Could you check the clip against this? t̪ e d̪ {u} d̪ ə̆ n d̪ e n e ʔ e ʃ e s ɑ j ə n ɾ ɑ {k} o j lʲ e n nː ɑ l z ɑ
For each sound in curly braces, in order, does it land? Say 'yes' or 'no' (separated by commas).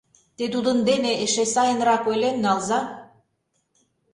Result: yes, yes